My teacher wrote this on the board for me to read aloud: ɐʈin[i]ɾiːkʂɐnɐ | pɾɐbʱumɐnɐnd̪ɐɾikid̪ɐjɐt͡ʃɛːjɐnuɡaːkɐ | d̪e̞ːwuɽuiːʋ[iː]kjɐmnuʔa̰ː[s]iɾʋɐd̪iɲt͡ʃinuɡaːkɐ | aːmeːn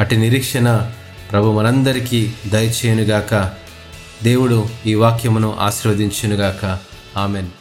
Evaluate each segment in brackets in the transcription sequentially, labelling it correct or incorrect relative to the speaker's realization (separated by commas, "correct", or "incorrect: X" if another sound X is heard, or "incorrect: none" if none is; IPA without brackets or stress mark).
correct, incorrect: aː, incorrect: ʃ